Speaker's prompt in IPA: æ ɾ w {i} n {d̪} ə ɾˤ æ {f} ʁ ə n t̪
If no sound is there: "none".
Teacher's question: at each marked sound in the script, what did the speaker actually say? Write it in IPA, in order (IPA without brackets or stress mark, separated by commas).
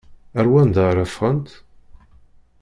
æ, d̪, f